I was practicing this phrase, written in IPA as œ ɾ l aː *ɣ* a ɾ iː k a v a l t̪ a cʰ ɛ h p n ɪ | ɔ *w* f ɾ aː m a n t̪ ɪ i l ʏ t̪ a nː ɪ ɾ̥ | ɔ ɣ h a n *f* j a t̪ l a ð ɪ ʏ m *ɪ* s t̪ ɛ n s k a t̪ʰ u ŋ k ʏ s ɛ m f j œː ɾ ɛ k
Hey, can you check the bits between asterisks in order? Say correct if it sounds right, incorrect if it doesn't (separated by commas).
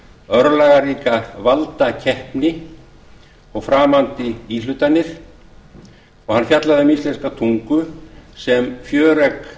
correct, incorrect, correct, incorrect